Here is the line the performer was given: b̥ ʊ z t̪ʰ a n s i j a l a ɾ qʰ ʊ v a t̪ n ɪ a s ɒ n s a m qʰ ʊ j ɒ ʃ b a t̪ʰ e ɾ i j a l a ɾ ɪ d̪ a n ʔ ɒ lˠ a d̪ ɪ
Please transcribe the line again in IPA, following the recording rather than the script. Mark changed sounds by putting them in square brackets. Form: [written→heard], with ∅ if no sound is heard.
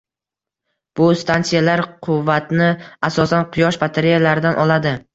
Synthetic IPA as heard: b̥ ʊ [z→s] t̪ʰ a n s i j a l a ɾ qʰ ʊ [v→vː] a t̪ n ɪ a s ɒ [n→∅] s a [m→n] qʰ ʊ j ɒ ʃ b a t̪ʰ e ɾ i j a l a ɾ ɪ d̪ a n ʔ ɒ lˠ a d̪ ɪ